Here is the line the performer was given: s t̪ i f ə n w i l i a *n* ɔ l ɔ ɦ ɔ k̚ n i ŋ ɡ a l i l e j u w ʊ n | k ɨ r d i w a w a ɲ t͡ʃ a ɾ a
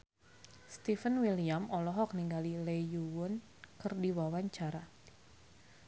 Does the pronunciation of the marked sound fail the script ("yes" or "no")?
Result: yes